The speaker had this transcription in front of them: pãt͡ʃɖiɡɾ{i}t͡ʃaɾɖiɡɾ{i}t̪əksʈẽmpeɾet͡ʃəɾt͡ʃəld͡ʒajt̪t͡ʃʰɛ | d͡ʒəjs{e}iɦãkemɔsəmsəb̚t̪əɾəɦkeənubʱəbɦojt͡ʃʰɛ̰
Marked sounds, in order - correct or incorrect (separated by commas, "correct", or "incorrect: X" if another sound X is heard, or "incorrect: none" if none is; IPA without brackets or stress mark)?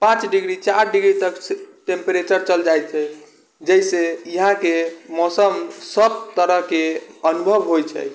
correct, correct, correct